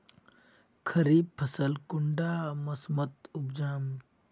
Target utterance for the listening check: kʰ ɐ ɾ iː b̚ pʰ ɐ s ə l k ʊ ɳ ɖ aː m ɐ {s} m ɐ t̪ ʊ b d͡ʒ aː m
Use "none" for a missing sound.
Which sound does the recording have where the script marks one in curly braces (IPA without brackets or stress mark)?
s